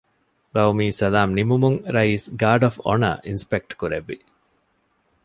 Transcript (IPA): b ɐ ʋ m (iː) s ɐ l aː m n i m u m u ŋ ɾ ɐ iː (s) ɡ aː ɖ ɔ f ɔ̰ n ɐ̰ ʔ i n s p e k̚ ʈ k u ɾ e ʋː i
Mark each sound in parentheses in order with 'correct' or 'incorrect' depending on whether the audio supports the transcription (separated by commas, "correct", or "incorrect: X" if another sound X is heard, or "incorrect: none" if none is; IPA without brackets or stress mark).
correct, correct